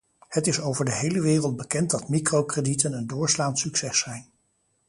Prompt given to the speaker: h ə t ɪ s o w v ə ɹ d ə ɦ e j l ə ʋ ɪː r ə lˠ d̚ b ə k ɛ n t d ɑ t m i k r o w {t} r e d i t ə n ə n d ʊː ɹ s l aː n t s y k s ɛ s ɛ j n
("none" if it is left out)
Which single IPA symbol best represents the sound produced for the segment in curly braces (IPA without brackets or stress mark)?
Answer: k